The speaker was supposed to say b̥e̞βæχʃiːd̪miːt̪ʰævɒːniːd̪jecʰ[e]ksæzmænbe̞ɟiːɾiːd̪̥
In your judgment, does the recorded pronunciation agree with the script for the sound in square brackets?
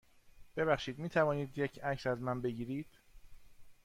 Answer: no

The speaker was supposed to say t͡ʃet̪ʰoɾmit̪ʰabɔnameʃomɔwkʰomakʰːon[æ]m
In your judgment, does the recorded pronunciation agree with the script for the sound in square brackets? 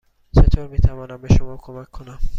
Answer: no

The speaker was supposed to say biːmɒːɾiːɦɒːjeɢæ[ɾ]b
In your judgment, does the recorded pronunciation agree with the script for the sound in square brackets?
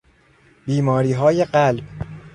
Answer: no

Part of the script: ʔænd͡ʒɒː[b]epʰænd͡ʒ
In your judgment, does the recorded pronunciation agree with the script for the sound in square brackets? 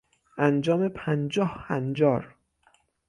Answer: no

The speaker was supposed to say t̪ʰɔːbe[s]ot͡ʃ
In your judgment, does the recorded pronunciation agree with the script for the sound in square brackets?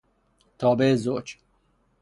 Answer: no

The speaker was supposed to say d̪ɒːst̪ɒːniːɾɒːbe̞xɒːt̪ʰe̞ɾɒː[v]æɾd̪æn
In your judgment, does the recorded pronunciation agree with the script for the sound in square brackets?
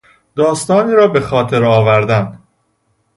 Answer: yes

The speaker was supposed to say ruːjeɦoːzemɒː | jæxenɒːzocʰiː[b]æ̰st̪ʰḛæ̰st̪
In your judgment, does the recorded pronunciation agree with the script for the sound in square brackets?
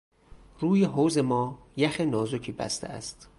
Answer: yes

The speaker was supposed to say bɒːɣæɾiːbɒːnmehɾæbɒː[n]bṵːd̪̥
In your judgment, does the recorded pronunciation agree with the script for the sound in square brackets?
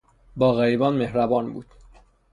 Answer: yes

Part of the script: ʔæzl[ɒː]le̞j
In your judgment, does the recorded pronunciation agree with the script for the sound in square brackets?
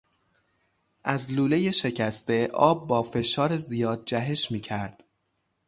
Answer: no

